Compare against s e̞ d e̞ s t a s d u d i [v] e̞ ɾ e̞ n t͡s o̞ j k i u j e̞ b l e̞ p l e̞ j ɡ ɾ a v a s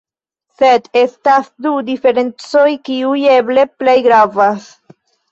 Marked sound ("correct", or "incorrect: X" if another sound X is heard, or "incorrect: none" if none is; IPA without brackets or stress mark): incorrect: f